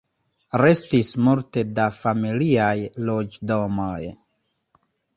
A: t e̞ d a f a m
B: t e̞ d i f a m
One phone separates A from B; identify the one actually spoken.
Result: A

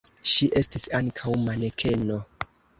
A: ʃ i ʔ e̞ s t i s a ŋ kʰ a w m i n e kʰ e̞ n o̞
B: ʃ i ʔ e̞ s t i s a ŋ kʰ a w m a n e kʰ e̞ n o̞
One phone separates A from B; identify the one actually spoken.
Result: B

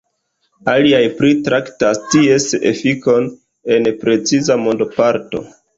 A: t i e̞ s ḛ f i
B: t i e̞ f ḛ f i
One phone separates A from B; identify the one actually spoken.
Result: A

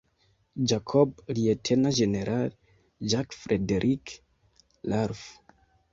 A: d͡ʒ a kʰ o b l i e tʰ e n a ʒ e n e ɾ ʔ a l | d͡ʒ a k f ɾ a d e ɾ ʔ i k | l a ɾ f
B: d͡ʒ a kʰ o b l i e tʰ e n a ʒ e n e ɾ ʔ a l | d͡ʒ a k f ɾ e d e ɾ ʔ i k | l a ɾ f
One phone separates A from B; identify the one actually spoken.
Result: B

